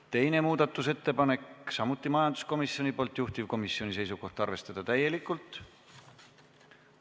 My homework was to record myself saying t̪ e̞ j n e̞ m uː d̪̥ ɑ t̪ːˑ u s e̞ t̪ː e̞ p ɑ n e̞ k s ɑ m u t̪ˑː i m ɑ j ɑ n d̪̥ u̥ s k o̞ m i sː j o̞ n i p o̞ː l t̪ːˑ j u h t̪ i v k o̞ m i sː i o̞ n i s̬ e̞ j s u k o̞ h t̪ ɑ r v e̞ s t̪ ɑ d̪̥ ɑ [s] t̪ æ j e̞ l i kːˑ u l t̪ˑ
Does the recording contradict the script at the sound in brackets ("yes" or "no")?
yes